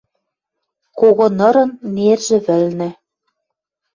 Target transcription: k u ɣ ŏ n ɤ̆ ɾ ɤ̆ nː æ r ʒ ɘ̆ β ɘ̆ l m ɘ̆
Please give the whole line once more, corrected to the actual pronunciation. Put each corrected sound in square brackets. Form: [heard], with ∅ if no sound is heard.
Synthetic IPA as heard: k [o] ɣ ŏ n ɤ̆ ɾ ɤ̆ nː [e] r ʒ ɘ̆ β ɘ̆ l [n] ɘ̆